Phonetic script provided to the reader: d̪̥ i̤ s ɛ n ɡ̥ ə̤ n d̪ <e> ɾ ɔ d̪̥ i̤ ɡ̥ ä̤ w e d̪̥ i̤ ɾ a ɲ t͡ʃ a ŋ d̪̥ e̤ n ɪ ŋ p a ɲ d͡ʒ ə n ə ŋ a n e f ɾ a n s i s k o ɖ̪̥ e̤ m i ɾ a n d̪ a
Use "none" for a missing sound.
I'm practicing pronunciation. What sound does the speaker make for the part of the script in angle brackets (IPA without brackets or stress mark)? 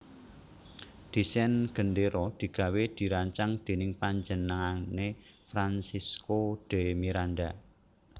e